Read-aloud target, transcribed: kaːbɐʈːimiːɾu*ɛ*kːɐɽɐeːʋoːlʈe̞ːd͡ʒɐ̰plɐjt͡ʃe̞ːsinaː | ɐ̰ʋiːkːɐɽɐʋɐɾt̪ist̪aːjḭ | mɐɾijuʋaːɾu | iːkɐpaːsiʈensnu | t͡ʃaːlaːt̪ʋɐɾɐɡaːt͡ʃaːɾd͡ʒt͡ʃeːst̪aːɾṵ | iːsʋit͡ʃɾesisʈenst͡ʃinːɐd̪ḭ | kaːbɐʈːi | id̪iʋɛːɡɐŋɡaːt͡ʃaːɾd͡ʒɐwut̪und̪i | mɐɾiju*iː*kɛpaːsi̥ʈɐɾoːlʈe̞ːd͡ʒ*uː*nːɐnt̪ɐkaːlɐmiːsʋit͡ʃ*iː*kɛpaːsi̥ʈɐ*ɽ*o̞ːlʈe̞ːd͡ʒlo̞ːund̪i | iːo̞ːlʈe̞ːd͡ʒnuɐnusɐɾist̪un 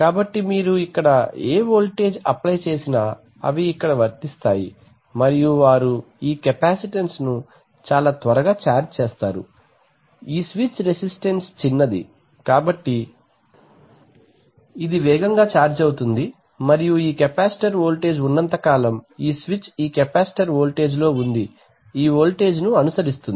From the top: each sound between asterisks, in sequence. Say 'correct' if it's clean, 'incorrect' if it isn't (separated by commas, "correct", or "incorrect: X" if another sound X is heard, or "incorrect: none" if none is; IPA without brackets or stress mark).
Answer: incorrect: i, correct, incorrect: u, correct, incorrect: ɾ